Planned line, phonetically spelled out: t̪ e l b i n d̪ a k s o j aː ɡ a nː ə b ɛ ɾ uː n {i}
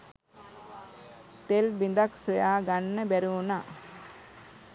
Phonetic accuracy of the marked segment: incorrect: a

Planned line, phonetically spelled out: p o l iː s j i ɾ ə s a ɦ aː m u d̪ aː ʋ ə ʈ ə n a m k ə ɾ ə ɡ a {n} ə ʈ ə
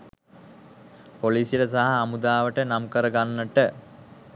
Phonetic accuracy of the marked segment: incorrect: nː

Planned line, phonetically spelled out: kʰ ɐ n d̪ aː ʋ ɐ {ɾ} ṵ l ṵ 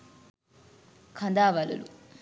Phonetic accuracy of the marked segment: incorrect: l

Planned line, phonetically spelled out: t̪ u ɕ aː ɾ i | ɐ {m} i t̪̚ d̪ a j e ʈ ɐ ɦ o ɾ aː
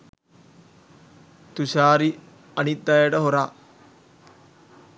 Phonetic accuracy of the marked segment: incorrect: n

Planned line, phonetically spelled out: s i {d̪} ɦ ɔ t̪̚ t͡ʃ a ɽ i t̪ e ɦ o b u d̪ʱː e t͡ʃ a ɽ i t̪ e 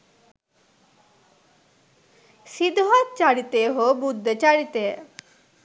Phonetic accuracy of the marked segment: correct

